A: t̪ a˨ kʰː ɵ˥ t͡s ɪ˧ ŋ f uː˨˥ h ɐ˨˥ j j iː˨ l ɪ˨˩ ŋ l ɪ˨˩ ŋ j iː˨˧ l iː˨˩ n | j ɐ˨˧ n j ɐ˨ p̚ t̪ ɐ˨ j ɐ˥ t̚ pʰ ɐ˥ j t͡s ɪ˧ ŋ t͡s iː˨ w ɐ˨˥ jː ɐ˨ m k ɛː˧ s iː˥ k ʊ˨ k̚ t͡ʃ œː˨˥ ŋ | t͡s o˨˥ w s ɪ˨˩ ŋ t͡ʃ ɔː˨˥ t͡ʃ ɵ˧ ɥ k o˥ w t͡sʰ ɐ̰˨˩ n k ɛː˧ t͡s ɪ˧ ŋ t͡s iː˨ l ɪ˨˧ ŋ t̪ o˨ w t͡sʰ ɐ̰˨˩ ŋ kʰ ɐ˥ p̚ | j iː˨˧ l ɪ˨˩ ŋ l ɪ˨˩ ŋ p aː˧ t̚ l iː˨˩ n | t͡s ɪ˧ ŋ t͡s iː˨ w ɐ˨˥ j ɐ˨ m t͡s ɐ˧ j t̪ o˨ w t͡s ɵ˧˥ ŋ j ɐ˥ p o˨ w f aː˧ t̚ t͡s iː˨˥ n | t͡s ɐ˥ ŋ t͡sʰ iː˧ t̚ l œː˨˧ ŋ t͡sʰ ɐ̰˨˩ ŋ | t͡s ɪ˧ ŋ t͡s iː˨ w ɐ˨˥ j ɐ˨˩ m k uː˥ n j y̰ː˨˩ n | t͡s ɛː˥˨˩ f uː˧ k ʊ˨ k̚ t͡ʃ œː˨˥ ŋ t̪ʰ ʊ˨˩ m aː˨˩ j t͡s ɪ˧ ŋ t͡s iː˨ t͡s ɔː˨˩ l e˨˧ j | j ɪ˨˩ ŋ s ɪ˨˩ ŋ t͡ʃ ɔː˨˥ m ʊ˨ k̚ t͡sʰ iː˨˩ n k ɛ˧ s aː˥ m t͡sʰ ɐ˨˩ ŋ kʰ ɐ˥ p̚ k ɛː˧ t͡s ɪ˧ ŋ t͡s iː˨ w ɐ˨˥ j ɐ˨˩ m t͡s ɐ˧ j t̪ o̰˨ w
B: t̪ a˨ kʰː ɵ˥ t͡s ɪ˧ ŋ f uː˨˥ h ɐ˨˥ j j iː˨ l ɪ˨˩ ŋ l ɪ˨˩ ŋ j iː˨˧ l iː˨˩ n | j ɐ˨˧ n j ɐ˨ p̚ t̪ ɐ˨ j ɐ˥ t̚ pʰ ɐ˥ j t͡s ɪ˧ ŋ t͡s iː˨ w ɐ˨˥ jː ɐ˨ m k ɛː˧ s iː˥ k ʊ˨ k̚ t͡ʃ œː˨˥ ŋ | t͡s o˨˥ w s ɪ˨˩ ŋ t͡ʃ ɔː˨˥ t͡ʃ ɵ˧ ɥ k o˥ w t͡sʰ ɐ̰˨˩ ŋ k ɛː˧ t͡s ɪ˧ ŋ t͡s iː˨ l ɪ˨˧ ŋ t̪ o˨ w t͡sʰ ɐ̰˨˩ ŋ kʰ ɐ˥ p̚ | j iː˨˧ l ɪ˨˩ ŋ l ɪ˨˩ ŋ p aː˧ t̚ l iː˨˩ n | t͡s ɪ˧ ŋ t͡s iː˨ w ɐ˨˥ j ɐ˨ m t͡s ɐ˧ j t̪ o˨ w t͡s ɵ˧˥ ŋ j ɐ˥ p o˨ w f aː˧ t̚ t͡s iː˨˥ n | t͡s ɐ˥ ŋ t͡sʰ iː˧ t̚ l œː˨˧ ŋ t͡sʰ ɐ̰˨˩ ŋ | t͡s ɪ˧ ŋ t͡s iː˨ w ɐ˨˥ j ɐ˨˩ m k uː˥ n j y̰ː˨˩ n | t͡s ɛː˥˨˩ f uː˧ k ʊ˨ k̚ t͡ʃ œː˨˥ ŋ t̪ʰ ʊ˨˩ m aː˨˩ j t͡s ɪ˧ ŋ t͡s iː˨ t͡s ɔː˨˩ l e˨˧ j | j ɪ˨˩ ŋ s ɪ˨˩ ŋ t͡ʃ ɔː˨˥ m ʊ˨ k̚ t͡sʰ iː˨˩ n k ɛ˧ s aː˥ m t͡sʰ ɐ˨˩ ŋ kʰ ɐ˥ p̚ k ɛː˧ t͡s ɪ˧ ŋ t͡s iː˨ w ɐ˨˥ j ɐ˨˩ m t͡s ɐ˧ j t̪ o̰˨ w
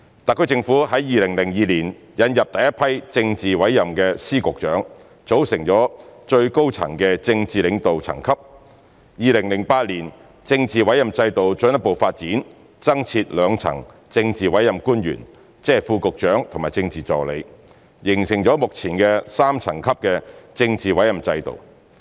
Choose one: B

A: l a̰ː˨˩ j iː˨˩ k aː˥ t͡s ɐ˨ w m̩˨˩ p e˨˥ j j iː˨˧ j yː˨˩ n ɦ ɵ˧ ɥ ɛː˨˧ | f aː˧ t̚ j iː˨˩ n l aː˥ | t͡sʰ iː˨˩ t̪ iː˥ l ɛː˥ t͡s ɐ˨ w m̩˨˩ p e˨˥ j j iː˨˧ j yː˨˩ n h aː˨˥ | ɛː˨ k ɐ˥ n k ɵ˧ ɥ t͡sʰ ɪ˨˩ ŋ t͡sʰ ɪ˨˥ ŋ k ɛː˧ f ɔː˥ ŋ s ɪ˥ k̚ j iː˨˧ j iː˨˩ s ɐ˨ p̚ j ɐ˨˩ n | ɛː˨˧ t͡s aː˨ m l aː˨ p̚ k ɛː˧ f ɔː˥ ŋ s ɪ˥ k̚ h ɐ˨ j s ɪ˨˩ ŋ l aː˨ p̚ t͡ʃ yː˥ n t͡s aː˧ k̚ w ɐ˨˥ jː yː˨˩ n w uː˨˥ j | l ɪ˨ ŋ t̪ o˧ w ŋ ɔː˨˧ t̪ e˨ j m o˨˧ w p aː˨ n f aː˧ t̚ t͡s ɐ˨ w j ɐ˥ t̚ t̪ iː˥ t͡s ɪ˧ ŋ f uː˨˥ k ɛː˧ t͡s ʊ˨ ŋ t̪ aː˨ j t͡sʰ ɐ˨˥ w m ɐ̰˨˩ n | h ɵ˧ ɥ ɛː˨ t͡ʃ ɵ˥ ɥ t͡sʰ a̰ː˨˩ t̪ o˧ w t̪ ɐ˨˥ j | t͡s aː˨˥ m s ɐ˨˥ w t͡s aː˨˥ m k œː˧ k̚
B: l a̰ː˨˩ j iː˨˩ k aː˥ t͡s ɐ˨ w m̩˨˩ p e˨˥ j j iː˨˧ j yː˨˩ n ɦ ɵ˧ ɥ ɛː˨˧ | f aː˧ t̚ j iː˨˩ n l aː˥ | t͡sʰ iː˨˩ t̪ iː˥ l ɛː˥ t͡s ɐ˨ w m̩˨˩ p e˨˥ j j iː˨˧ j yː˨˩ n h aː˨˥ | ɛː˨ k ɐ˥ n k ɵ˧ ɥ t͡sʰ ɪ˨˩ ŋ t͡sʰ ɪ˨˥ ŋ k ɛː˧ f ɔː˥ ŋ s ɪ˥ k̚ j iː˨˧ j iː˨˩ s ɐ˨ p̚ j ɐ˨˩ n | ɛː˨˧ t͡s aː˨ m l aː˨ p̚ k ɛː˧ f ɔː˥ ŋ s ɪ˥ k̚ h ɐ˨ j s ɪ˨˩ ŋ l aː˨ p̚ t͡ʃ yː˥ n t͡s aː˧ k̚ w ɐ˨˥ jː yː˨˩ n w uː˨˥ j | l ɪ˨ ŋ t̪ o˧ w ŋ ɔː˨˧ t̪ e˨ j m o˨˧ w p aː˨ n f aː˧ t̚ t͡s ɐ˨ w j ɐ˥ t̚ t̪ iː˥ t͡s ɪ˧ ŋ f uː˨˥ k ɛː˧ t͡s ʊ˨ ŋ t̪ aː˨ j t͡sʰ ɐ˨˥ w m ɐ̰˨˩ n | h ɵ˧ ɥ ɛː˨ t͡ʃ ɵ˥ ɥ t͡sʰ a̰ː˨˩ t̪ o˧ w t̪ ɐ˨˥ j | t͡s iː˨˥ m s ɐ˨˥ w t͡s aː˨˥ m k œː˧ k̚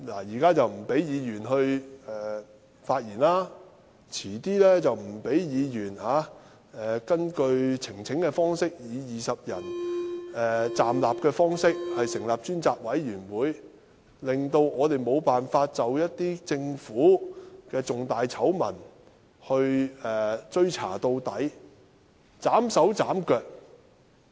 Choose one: A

